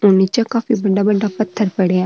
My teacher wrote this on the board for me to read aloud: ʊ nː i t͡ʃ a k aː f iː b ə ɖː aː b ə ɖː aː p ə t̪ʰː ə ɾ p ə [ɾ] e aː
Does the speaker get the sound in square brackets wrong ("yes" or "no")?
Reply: yes